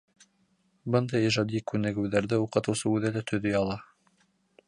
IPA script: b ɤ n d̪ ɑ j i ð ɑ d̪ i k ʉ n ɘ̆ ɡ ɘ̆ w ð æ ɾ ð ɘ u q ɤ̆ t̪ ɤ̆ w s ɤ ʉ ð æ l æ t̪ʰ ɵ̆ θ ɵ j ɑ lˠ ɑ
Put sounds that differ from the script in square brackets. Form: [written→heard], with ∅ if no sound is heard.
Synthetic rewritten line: b ɤ n d̪ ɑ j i [ð→ʒ] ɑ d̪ i k ʉ n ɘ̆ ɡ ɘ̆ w ð æ ɾ ð ɘ u q ɤ̆ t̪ ɤ̆ w s ɤ ʉ ð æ l æ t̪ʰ ɵ̆ [θ→ð] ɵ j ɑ lˠ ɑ

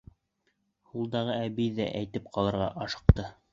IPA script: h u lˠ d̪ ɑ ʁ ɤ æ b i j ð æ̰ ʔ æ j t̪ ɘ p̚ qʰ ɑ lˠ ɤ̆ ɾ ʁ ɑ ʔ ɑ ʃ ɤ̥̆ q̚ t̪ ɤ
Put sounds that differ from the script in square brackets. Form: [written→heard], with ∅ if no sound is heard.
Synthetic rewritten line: h u lˠ d̪ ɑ ʁ ɤ æ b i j ð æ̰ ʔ æ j t̪ ɘ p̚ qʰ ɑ lˠ ɤ̆ ɾ ʁ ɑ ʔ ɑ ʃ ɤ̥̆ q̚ t̪ ɤ

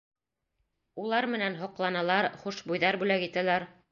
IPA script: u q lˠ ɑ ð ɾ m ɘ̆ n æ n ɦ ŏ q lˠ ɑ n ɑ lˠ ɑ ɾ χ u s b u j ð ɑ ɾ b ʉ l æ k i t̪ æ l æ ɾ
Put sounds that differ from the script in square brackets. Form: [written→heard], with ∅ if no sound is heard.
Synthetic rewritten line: u [q→∅] lˠ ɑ [ð→∅] ɾ m ɘ̆ n æ n ɦ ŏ q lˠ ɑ n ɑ lˠ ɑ ɾ χ u [s→ʃ] b u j ð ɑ ɾ b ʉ l æ k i t̪ æ l æ ɾ

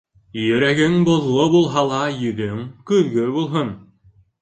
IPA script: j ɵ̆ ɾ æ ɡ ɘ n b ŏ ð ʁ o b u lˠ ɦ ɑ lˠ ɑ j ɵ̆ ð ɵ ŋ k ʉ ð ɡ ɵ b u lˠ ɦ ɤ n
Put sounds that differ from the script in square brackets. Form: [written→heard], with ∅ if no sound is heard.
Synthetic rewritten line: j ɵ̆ ɾ æ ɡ ɘ [n→ŋ] b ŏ ð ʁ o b u lˠ ɦ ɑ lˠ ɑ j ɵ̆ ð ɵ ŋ k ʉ ð ɡ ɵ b u lˠ ɦ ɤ n

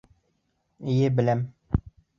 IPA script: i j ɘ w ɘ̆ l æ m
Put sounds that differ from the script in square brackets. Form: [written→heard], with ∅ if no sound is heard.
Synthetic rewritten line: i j ɘ [w→b] ɘ̆ l æ m

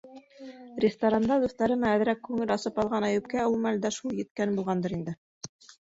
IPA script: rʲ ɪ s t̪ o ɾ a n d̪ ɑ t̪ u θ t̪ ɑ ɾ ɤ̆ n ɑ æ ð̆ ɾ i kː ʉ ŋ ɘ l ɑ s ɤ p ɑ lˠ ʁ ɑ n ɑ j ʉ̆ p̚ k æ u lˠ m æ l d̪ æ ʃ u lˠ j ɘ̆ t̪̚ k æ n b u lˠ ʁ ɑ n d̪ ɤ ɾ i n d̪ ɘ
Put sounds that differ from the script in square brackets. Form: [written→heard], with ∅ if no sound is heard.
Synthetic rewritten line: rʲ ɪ s t̪ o ɾ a n d̪ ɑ [t̪→d̪] u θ t̪ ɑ ɾ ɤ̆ n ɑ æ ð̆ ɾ [i→æ] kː ʉ ŋ ɘ l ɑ s ɤ p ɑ lˠ ʁ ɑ n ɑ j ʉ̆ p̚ k æ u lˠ m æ l d̪ æ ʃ u lˠ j ɘ̆ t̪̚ k æ n b u lˠ ʁ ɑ n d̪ ɤ ɾ i n d̪ ɘ

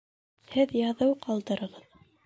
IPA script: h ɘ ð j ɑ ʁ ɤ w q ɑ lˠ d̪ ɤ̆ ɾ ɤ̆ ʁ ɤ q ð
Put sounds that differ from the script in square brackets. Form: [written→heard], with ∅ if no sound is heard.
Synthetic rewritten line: h ɘ ð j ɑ [ʁ→ð] ɤ w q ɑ lˠ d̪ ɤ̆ ɾ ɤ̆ ʁ ɤ [q→∅] ð

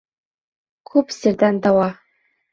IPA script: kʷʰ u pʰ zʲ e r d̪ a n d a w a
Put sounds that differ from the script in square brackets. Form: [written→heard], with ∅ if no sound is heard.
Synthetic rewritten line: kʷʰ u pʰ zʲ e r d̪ a n d a w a

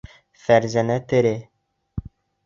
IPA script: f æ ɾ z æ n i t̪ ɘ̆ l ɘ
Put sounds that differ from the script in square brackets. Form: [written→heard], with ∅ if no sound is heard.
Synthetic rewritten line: f æ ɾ z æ n [i→æ] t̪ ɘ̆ [l→ɾ] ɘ

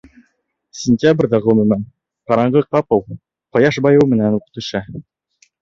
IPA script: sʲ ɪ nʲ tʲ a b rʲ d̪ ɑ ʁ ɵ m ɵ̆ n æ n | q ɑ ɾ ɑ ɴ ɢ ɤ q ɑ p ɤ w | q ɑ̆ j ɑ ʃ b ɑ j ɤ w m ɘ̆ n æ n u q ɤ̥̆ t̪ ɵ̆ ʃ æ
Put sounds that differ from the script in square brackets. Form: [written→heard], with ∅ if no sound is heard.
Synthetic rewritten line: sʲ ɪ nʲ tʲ a b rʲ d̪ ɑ ʁ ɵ m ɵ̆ [n→m] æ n | q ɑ ɾ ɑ ɴ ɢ ɤ q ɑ p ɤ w | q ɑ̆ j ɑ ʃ b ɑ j ɤ w m ɘ̆ n æ n u q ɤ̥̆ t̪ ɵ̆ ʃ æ

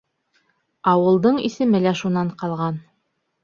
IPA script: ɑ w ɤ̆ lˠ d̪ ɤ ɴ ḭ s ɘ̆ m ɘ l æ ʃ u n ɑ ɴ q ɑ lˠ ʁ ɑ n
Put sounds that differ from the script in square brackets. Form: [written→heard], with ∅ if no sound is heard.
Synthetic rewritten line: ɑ w ɤ̆ lˠ d̪ ɤ ɴ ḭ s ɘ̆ m ɘ l æ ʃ u n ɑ ɴ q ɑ lˠ ʁ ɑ n

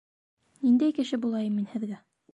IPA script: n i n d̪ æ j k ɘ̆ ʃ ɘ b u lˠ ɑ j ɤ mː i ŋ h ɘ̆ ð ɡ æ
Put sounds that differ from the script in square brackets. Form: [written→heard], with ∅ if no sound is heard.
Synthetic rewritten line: n i n d̪ æ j k ɘ̆ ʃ ɘ b u lˠ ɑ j ɤ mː i [ŋ→n] h ɘ̆ ð ɡ æ

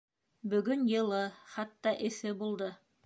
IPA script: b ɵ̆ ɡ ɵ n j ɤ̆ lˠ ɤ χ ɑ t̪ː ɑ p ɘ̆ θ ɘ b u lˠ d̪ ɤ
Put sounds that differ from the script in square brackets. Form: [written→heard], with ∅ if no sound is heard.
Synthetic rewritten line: b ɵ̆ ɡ ɵ n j ɤ̆ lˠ ɤ χ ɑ t̪ː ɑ [p→ʔ] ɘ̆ θ ɘ b u lˠ d̪ ɤ

